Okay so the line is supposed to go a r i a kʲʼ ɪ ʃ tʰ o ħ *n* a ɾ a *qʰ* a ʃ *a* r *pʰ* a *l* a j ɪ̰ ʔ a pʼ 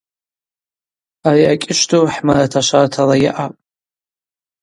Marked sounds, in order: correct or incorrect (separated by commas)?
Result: incorrect, incorrect, correct, incorrect, correct